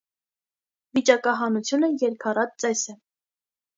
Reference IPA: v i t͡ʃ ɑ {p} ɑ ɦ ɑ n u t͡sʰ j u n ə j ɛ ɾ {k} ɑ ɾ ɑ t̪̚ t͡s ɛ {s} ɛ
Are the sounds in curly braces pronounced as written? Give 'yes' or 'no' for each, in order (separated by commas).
no, no, yes